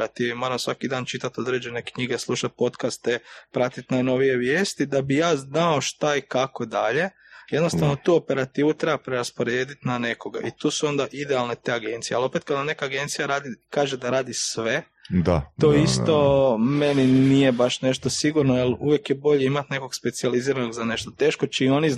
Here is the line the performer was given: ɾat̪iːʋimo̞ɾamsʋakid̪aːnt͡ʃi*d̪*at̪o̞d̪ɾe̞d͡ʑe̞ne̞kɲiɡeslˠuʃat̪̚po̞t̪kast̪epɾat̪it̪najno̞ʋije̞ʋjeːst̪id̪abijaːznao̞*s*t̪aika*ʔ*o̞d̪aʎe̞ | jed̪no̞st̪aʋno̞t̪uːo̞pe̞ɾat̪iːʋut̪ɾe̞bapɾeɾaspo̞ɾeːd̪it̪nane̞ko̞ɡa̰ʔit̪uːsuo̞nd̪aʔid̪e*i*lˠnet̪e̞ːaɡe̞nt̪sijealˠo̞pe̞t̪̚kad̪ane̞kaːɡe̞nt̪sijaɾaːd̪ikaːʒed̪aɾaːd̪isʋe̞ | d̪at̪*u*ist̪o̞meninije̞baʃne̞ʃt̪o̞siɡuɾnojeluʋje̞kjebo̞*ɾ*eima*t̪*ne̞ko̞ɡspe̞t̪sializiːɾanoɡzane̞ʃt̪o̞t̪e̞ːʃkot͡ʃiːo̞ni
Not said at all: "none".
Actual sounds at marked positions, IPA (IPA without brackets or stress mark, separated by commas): t̪, ʃ, k, a, o, ʎ, t̪